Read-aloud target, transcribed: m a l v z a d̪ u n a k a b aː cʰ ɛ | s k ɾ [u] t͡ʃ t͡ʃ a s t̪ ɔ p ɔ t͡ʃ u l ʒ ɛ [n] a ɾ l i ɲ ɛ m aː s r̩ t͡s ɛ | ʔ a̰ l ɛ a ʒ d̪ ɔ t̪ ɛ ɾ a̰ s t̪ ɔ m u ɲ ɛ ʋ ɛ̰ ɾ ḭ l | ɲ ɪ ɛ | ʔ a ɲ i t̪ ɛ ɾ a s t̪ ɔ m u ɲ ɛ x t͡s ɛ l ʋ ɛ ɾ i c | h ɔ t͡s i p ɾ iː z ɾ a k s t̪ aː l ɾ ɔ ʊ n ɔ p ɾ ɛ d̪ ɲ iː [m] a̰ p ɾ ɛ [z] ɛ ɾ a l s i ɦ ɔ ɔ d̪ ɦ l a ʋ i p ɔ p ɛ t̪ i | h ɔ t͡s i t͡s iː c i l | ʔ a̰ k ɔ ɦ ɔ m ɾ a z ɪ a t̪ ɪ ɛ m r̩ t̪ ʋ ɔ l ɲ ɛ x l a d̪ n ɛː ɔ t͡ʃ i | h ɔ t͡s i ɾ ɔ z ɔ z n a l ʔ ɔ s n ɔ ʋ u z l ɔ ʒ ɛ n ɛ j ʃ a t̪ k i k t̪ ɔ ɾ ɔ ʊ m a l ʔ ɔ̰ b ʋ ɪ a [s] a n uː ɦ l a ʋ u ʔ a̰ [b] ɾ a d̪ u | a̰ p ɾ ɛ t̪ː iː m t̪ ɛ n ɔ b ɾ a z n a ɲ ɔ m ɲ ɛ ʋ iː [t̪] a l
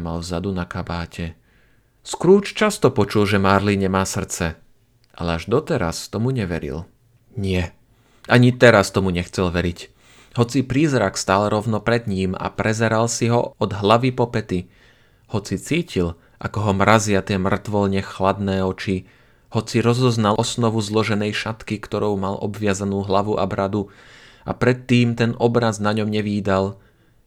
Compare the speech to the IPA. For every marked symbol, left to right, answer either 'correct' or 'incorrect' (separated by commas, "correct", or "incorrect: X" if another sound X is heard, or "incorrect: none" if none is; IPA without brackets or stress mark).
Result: incorrect: uː, incorrect: m, correct, correct, incorrect: z, correct, incorrect: d̪